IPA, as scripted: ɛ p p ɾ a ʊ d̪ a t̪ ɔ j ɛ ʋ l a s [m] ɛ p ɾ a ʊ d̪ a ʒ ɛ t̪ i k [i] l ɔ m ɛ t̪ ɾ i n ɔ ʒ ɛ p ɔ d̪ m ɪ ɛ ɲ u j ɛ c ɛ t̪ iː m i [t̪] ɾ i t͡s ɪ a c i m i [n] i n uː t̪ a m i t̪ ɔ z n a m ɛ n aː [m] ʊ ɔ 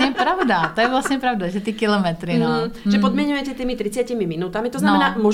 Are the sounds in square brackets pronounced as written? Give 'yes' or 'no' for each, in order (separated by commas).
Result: no, yes, yes, no, yes